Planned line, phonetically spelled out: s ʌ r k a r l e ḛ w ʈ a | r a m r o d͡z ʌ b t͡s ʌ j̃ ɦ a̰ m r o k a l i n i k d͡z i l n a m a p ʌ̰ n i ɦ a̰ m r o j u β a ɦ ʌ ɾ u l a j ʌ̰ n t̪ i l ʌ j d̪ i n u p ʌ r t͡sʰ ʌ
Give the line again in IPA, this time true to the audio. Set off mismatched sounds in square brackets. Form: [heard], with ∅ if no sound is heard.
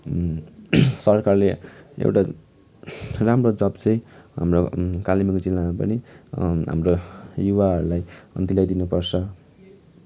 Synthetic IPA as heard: s ʌ r k a r l e ḛ w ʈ a | r a m r o d͡z ʌ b t͡s ʌ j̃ ɦ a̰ m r o k a l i [m] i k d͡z i l n a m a p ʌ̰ n i ɦ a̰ m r o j u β a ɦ ʌ ɾ u l a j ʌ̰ n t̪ i l [a] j d̪ i n u p ʌ r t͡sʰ ʌ

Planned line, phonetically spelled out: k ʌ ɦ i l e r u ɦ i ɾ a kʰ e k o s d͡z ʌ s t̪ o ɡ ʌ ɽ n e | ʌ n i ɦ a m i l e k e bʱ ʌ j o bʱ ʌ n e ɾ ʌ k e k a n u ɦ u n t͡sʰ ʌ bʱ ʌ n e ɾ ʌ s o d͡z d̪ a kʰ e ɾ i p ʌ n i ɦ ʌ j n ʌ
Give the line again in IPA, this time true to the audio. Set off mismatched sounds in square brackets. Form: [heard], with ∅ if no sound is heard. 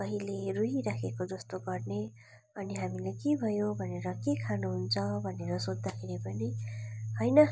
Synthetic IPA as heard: k ʌ ɦ i l e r u ɦ i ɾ a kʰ e k o [∅] d͡z ʌ s t̪ o ɡ ʌ [r] n e | ʌ n i ɦ a m i l e k e bʱ ʌ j o bʱ ʌ n e ɾ ʌ k e [kʰ] a n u ɦ u n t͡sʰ ʌ bʱ ʌ n e ɾ ʌ s o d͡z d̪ a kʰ e ɾ i p ʌ n i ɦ ʌ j n ʌ

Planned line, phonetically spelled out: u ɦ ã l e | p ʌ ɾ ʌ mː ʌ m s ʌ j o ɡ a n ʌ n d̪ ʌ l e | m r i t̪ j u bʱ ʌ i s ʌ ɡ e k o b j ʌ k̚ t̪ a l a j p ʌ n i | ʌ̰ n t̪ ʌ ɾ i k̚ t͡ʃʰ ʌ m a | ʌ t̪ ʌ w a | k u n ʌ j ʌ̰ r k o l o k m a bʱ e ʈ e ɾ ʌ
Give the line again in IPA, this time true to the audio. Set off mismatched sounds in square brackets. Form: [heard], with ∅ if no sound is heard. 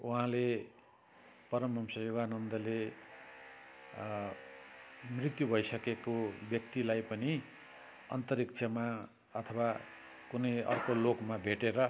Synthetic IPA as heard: u ɦ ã l e | p ʌ ɾ ʌ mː ʌ m s ʌ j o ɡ a n ʌ n d̪ ʌ l e | m r i t̪ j u bʱ ʌ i s ʌ [k] e k o b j ʌ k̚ t̪ [i] l a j p ʌ n i | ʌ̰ n t̪ ʌ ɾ i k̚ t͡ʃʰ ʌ m a | ʌ [t̪ʰ] ʌ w a | k u n ʌ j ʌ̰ r k o l o k m a bʱ e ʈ e ɾ ʌ

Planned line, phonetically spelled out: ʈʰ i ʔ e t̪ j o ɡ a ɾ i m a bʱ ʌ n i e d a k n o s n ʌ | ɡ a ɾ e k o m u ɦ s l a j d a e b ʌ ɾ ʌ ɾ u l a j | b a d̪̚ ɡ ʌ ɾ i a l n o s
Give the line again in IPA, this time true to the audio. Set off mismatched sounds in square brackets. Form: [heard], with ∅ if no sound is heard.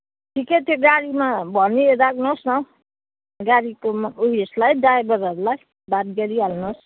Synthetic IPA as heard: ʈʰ i [k] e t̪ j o ɡ a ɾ i m a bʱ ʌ n i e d a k n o s n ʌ | ɡ a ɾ [i] k o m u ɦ s l a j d a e b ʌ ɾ ʌ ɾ u l a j | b a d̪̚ ɡ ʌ ɾ i a l n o s

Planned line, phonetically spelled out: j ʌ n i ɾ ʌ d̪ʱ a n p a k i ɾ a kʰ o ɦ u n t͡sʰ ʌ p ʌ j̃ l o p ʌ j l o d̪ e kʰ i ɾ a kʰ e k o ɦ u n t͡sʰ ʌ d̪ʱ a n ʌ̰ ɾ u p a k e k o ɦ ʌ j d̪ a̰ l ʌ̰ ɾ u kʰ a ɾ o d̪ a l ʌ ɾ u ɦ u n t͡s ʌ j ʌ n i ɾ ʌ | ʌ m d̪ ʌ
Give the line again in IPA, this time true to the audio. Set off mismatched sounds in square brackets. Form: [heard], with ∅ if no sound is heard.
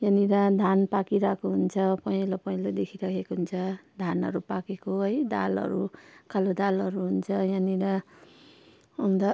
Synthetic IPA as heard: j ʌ n i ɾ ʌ d̪ʱ a n p a k i ɾ a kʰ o ɦ u n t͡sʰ ʌ p ʌ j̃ l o p ʌ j l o d̪ e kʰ i ɾ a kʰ e k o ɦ u n t͡sʰ ʌ d̪ʱ a n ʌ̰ ɾ u p a k e k o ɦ ʌ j d̪ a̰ l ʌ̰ ɾ u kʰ a [l] o d̪ a l ʌ ɾ u ɦ u n [t͡sʰ] ʌ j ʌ n i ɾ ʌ | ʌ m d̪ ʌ

